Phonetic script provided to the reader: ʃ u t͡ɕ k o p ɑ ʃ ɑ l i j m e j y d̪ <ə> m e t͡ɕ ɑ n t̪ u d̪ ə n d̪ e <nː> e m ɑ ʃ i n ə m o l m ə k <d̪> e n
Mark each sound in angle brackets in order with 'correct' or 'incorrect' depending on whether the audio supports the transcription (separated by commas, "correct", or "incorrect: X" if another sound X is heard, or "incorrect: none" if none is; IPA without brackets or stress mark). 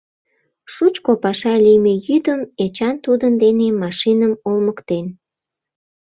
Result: correct, incorrect: n, incorrect: t̪